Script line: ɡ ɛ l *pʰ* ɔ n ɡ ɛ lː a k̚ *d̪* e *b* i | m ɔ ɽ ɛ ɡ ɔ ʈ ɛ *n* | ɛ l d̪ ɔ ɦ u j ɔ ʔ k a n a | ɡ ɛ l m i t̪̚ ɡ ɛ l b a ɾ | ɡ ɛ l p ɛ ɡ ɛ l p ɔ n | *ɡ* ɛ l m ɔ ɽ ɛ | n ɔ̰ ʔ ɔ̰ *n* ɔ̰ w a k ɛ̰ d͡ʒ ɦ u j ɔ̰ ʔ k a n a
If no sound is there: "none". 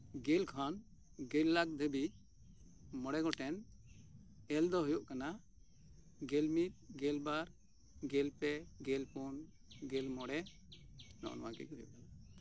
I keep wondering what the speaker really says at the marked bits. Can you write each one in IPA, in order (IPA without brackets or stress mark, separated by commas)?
kʰ, d̪, b, n, ɡ, n